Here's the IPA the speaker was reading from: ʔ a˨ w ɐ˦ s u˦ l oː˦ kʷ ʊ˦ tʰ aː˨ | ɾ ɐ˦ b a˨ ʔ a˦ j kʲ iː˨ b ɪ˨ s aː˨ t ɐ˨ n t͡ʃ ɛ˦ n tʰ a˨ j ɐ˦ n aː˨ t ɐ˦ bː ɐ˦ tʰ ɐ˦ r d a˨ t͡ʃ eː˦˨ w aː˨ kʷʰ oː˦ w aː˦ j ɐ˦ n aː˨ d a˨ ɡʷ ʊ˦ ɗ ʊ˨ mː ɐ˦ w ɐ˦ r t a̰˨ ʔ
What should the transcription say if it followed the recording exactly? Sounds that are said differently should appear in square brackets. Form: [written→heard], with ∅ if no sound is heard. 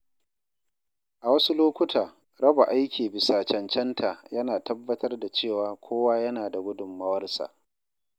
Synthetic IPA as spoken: ʔ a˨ w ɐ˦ s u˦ l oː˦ kʷ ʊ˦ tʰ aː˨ | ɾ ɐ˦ b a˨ ʔ a˦ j kʲ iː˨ b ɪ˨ s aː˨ [t→t͡ʃ] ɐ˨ n t͡ʃ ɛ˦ n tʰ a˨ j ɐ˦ n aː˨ t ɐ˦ bː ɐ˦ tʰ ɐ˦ r d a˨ t͡ʃ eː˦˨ w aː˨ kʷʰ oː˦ w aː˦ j ɐ˦ n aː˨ d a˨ ɡʷ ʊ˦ [ɗ→d] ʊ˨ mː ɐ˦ w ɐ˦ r [t→s] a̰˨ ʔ